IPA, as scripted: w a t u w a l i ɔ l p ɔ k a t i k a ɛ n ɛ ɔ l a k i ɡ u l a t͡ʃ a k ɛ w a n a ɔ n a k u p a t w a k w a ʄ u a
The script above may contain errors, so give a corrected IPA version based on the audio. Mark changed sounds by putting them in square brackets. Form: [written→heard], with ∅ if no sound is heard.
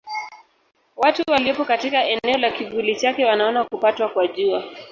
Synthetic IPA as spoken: w a t u w a l i ɔ [l→∅] p ɔ k a t i k a ɛ n ɛ ɔ l a k i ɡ u l [a→i] t͡ʃ a k ɛ w a n a ɔ n a k u p a t w a k w a ʄ u a